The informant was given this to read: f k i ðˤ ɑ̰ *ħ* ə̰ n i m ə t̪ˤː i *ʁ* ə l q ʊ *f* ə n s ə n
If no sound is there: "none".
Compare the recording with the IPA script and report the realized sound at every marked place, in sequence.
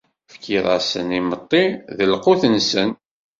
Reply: s, ð, θ

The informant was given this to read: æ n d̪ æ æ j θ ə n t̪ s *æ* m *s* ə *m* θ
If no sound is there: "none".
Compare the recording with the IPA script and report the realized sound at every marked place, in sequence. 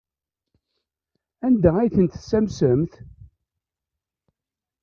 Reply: æ, s, m

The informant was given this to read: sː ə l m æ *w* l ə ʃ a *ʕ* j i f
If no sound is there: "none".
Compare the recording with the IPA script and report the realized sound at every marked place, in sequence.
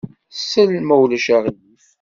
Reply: w, ʁ

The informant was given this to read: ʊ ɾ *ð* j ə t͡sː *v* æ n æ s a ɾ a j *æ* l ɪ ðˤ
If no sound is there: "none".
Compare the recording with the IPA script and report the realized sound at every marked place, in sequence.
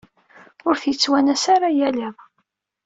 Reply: θ, w, æ

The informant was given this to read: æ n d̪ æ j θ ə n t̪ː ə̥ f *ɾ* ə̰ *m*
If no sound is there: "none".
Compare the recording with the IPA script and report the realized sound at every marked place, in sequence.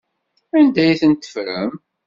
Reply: ɾ, m

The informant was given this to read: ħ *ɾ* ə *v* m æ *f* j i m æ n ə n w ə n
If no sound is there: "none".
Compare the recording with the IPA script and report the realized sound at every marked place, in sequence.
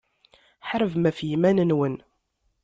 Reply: ɾ, v, f

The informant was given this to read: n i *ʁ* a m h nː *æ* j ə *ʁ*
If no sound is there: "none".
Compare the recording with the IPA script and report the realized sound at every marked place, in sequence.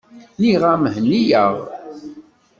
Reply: ʁ, i, ʁ

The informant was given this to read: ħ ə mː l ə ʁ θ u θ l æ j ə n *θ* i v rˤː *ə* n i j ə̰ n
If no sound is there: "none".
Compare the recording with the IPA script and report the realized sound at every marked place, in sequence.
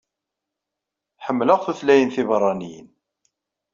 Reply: θ, ɑ

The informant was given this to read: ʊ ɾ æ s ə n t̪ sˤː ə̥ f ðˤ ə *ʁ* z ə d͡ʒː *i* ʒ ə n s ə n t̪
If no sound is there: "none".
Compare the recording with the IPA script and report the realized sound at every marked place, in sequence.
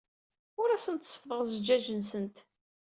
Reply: ʁ, æ

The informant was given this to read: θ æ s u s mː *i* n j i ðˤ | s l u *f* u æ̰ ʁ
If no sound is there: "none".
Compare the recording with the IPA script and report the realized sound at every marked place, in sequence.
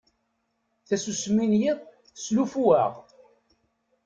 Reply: i, f

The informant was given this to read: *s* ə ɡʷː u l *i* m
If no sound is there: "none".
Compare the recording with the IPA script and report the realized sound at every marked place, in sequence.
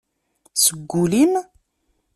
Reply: s, i

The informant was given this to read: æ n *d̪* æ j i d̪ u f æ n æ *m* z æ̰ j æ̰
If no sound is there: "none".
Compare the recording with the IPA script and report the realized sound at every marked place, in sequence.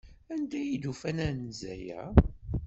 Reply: d̪, n

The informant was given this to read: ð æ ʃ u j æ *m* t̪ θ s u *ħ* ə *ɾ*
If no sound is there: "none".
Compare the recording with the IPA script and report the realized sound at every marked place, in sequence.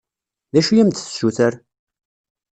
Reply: m, θ, ɾ

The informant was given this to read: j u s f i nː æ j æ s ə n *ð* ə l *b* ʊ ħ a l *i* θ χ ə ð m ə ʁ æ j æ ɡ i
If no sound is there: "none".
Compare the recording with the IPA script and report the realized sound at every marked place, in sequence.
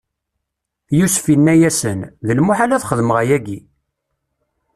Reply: ð, m, æ

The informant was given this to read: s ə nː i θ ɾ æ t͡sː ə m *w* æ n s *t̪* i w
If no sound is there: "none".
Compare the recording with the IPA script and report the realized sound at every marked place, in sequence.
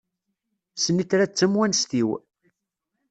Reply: w, t̪

